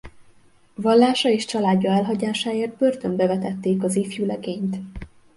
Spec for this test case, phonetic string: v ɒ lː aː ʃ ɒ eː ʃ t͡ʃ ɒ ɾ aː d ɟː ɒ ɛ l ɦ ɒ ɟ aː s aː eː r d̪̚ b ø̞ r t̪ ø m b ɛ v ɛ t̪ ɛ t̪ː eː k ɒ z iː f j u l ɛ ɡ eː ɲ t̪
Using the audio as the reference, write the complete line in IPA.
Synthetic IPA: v ɒ lː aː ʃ ɒ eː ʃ t͡ʃ ɒ l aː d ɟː ɒ ɛ l ɦ ɒ ɟ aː ʃ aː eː r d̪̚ b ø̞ r t̪ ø m b ɛ v ɛ t̪ ɛ t̪ː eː k ɒ z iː f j u l ɛ ɡ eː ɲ t̪